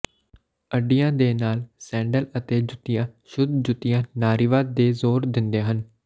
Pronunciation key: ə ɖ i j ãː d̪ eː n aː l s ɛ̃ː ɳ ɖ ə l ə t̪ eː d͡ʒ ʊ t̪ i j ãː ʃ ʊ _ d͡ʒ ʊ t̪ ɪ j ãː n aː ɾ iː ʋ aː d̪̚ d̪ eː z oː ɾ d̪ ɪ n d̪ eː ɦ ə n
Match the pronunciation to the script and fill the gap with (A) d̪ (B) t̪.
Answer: A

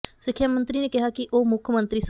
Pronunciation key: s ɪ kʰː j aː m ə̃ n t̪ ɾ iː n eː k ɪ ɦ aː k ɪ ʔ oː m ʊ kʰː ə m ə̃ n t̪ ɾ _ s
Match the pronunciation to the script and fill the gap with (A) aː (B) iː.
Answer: B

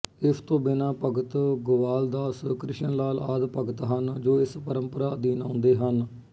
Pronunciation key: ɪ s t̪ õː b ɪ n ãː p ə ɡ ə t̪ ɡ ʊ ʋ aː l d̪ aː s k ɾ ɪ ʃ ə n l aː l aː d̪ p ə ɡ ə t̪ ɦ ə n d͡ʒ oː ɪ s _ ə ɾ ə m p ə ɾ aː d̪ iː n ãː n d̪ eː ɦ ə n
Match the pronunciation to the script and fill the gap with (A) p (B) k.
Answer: A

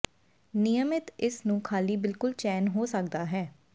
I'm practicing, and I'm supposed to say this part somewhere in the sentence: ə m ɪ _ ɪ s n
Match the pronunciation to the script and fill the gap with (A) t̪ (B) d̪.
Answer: A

